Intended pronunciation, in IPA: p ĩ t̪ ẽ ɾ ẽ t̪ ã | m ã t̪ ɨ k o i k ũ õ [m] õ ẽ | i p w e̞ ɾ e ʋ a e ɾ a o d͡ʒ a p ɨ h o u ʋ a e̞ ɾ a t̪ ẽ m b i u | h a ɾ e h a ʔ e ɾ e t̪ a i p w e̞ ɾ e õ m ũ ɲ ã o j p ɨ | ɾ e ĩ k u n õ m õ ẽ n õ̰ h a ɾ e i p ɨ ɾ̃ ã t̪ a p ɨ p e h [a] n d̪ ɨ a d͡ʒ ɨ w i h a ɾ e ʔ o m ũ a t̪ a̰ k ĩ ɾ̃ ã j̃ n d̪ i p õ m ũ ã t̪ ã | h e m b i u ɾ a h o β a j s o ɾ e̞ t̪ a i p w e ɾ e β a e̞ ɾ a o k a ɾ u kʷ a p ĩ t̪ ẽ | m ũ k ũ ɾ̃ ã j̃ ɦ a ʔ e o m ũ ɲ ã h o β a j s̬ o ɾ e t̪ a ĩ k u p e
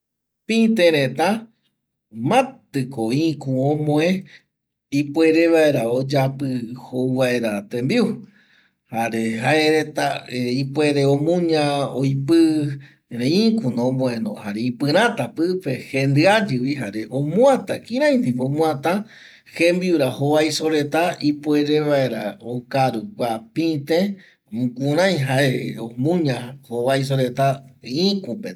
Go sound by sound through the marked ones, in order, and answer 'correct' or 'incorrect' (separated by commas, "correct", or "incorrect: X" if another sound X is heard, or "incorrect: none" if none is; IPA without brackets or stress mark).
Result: correct, incorrect: e